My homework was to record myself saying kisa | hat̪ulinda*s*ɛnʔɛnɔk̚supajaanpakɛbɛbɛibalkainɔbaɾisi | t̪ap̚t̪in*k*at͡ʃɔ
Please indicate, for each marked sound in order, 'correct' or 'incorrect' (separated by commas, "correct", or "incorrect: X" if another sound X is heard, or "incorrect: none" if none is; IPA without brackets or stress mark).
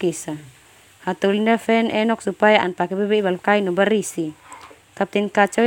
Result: incorrect: f, correct